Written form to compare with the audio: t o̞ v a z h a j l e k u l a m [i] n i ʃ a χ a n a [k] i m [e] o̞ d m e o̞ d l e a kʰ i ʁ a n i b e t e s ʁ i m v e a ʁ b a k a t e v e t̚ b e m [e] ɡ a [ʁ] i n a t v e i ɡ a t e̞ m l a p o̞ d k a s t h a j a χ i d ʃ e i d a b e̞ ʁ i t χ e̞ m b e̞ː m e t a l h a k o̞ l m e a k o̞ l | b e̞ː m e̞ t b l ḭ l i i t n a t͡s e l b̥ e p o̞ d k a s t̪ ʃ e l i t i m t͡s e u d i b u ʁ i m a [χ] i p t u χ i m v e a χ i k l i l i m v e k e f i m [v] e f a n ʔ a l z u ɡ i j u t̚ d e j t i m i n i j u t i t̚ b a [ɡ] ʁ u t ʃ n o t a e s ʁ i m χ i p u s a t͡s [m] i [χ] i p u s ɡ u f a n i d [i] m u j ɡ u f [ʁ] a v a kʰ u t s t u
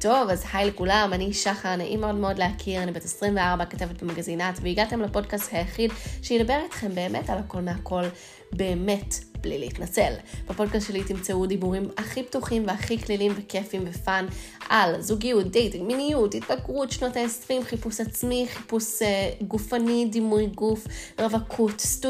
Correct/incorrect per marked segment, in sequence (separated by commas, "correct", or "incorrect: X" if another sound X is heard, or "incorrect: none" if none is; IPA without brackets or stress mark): incorrect: a, incorrect: ʔ, correct, incorrect: a, incorrect: z, correct, correct, correct, correct, correct, correct, correct